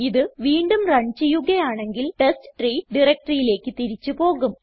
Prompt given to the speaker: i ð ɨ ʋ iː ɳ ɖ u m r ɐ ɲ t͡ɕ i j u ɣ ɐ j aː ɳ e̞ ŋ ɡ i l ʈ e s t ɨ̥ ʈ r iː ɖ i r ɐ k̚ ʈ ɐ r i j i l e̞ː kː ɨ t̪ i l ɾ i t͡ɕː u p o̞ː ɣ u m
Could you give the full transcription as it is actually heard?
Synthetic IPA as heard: i ð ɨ ʋ iː ɳ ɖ u m r ɐ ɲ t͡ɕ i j u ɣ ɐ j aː ɳ e̞ ŋ ɡ i l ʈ e s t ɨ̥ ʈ r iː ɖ i r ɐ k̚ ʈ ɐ r i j i l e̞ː kː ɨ t̪ i ɾ i t͡ɕː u p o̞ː ɣ u m